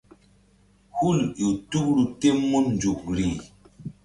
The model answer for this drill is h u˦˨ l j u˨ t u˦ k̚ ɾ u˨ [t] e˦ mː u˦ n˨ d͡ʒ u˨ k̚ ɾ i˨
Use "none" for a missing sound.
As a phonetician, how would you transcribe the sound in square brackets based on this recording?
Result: t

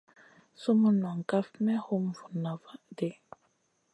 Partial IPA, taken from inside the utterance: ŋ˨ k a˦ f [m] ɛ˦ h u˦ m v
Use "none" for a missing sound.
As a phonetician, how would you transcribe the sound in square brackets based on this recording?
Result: m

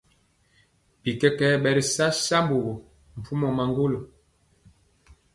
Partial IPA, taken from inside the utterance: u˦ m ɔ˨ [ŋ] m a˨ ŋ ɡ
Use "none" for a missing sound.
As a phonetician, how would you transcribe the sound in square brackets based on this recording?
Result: none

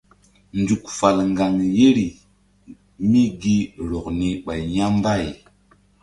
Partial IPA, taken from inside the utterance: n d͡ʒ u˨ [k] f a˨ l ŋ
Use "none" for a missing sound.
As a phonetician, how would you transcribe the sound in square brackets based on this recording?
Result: k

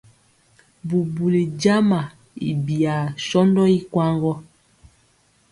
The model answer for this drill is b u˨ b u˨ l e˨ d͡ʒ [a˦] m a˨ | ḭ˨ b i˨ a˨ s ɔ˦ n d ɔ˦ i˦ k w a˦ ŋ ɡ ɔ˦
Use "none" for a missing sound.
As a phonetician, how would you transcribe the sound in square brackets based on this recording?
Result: a˦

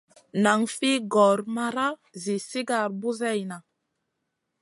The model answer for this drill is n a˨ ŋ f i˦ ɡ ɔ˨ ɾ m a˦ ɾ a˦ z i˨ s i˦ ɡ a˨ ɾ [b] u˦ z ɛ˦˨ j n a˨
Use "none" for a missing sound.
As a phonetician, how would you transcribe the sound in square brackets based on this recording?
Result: b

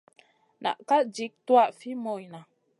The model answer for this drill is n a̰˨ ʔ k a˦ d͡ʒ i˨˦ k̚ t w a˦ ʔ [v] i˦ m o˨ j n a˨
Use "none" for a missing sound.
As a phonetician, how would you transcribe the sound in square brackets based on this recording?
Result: f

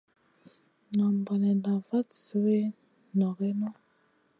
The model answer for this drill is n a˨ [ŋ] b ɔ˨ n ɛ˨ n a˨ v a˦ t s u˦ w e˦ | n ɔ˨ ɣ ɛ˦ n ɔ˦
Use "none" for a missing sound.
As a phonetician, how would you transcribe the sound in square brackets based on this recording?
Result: m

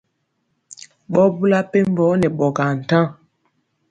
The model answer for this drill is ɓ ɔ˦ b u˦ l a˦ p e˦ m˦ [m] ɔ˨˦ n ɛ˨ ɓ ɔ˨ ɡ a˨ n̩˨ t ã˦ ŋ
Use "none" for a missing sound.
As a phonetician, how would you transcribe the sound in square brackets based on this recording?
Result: b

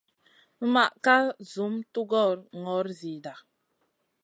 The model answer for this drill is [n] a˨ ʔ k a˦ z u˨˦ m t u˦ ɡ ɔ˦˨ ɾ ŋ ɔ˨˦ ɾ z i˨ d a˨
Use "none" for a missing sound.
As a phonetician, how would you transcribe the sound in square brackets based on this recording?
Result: m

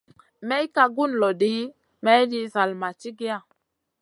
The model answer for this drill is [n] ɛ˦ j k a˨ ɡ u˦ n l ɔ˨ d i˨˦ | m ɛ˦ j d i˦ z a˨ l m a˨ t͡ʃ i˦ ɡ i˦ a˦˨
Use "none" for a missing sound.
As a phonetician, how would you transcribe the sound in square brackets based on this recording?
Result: m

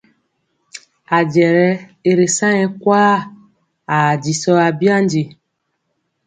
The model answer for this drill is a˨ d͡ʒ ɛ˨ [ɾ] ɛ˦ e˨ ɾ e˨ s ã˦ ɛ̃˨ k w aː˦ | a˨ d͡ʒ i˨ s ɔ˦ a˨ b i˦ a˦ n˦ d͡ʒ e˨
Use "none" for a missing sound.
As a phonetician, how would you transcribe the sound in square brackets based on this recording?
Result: ɾ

